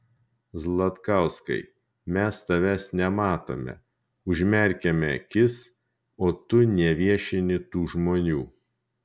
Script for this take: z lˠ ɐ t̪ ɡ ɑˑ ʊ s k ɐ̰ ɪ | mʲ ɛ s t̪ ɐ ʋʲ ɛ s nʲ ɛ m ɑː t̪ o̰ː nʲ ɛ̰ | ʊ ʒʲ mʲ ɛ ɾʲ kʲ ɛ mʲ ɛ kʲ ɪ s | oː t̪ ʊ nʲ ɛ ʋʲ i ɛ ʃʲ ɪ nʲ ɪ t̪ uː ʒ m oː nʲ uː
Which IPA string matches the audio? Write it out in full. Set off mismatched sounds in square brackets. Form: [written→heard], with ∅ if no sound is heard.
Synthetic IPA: z lˠ ɐ t̪ [ɡ→k] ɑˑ ʊ s k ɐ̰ ɪ | mʲ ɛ s t̪ ɐ ʋʲ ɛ s nʲ ɛ m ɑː t̪ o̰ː [nʲ→mʲ] ɛ̰ | ʊ ʒʲ mʲ ɛ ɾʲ kʲ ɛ mʲ ɛ kʲ ɪ s | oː t̪ ʊ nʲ ɛ ʋʲ i ɛ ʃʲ ɪ nʲ ɪ t̪ uː ʒ m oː nʲ uː

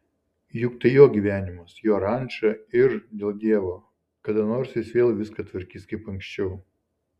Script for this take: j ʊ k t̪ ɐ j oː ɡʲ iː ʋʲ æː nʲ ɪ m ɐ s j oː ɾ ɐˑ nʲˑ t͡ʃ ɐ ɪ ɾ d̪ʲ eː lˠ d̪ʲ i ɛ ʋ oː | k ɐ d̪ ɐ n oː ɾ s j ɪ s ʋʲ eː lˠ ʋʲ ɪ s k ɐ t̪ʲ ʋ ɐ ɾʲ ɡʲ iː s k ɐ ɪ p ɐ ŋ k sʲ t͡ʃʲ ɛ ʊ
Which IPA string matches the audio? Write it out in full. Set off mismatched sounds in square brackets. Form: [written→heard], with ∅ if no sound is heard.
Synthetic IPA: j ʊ k t̪ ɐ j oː ɡʲ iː ʋʲ æː nʲ ɪ m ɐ s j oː ɾ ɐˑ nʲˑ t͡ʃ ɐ ɪ ɾ d̪ʲ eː lˠ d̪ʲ i ɛ ʋ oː | k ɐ d̪ ɐ n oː ɾ s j ɪ s ʋʲ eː lˠ ʋʲ ɪ s k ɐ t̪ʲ ʋ ɐ ɾʲ [ɡʲ→kʲ] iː s k ɐ ɪ p ɐ ŋ k sʲ t͡ʃʲ ɛ ʊ

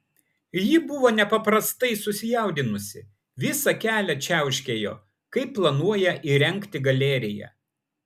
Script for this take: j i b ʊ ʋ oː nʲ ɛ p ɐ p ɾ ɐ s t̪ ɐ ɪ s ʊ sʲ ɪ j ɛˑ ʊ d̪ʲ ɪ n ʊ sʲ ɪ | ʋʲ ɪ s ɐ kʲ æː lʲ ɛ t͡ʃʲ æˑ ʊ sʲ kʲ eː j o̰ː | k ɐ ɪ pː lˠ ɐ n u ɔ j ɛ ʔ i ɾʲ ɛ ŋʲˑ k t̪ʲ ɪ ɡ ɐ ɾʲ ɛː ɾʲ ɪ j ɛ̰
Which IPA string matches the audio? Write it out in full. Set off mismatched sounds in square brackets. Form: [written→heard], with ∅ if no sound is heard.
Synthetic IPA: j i b ʊ ʋ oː nʲ ɛ p ɐ p ɾ ɐ s t̪ ɐ ɪ s ʊ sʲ ɪ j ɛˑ ʊ d̪ʲ ɪ n ʊ sʲ ɪ | ʋʲ ɪ s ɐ kʲ æː lʲ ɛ t͡ʃʲ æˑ ʊ [sʲ→ʃʲ] kʲ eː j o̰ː | k ɐ ɪ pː lˠ ɐ n u ɔ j ɛ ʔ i ɾʲ ɛ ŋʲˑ k t̪ʲ ɪ ɡ ɐ [ɾʲ→lʲ] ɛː ɾʲ ɪ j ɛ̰

